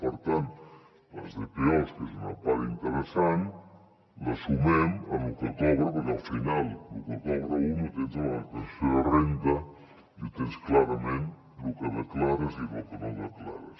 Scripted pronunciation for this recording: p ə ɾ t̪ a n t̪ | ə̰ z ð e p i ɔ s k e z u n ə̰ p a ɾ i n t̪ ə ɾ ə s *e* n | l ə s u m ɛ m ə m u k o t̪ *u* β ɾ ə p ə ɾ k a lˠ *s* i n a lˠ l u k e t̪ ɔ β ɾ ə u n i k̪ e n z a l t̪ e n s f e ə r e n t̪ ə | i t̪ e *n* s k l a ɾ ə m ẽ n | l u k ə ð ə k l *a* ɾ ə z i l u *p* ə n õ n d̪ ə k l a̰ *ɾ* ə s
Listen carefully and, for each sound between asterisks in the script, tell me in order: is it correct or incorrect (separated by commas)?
incorrect, incorrect, incorrect, correct, correct, incorrect, correct